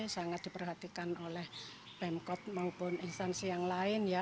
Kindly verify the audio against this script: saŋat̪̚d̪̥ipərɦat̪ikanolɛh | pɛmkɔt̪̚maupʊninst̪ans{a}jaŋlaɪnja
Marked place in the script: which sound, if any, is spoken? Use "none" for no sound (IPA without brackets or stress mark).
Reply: i